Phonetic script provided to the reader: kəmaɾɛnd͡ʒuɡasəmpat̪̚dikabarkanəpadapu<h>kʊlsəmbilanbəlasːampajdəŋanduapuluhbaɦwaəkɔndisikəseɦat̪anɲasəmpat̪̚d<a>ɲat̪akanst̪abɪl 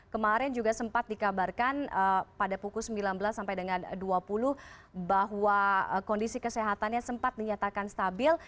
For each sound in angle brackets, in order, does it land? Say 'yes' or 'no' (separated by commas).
no, no